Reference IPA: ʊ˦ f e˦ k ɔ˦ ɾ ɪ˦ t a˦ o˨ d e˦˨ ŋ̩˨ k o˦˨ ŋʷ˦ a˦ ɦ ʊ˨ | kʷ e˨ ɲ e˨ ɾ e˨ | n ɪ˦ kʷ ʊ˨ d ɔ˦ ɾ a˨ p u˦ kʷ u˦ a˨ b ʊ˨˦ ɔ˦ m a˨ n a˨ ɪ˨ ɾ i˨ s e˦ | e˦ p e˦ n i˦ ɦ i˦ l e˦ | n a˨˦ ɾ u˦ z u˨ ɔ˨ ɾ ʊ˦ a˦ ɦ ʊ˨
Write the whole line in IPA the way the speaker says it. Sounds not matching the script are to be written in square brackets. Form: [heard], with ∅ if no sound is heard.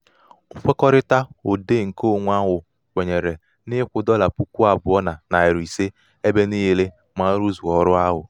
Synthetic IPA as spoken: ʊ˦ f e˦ k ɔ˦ ɾ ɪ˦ t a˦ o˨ d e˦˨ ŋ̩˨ k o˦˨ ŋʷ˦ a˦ ɦ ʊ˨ | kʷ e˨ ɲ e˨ ɾ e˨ | n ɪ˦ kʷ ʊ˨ d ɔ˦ [l] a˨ p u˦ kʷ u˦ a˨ b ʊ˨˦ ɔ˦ [n] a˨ n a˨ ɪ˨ ɾ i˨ s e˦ | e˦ [b] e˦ n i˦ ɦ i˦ l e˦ | [m] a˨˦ ɾ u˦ z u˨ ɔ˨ ɾ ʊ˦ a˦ ɦ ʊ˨